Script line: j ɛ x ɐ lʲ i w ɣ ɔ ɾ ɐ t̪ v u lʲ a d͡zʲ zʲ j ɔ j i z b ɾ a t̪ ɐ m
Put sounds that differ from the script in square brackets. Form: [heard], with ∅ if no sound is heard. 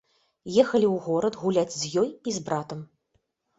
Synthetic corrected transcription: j ɛ x ɐ lʲ i w ɣ ɔ ɾ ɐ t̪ [ɣ] u lʲ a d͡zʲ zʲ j ɔ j i z b ɾ a t̪ ɐ m